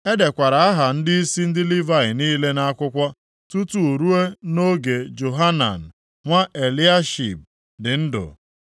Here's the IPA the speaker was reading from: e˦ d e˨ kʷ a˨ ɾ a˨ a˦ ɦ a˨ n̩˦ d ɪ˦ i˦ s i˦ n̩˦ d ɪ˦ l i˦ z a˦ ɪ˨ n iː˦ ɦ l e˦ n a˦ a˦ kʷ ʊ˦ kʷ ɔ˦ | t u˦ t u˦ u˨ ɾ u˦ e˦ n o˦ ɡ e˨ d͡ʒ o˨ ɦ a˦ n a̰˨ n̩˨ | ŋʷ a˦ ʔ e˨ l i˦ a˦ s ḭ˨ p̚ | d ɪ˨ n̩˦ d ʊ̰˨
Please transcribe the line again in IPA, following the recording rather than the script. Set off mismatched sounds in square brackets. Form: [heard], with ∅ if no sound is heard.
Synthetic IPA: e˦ d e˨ kʷ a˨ ɾ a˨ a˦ ɦ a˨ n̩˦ d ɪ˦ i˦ s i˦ n̩˦ d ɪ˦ l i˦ [v] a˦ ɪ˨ n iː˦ [∅] l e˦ n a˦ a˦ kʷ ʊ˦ kʷ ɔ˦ | t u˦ t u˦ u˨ ɾ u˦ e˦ n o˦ ɡ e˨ d͡ʒ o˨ ɦ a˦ n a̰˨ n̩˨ | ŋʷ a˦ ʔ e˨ l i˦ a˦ [ʃ] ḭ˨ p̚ | d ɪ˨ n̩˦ d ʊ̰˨